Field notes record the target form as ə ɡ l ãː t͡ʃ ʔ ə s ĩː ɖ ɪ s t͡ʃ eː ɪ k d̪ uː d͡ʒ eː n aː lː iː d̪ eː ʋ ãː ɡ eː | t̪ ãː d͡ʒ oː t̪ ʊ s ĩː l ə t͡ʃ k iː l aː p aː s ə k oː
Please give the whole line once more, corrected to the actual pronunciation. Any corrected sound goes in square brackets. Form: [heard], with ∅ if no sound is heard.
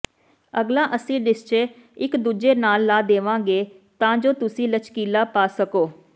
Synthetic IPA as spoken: ə ɡ l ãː [∅] ʔ ə s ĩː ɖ ɪ s t͡ʃ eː ɪ k d̪ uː d͡ʒ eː n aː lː [aː] d̪ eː ʋ ãː ɡ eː | t̪ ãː d͡ʒ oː t̪ ʊ s ĩː l ə t͡ʃ k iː l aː p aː s ə k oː